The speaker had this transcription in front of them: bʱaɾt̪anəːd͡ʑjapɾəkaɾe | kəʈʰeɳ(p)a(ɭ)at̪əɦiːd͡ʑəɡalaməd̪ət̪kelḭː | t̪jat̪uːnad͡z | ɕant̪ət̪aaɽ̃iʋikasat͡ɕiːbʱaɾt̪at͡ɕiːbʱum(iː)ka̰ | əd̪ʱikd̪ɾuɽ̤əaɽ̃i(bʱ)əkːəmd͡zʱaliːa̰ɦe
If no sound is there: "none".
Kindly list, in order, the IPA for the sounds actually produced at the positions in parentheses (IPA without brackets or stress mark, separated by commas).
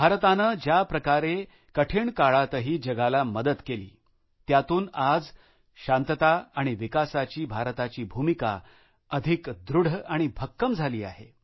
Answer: k, ɭ, i, bʱ